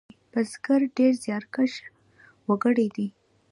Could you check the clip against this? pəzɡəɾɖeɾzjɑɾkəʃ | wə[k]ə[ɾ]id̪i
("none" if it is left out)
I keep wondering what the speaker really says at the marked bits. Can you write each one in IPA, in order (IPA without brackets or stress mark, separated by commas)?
ɡ, ɽ